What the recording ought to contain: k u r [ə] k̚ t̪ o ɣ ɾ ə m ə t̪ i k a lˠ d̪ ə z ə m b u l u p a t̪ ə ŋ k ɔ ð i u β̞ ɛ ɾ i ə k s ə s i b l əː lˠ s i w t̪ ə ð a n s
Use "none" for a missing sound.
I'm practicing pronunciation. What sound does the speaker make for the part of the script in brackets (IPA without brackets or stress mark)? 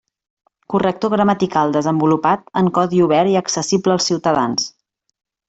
ə